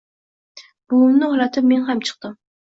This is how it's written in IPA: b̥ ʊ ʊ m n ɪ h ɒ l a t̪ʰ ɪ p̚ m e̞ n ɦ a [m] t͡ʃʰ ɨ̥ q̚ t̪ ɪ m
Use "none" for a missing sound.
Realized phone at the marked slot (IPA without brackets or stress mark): m